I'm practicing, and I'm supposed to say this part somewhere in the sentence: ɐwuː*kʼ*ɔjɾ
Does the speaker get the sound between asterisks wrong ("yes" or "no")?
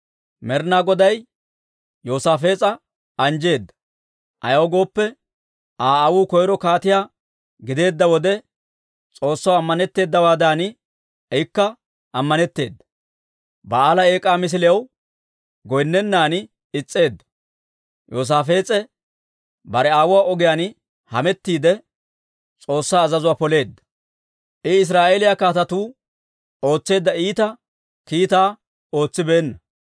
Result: yes